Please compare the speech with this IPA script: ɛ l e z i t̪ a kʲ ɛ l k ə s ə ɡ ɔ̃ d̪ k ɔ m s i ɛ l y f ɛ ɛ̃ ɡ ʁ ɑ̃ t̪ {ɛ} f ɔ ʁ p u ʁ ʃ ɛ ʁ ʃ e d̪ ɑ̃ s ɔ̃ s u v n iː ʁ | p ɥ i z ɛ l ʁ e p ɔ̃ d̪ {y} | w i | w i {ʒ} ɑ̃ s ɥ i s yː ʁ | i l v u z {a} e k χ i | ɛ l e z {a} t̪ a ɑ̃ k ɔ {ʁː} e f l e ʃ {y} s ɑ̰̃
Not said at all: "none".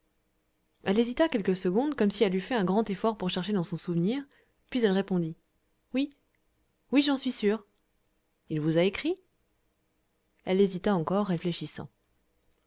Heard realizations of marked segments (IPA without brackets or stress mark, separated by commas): e, i, ʒ, a, i, ʁː, i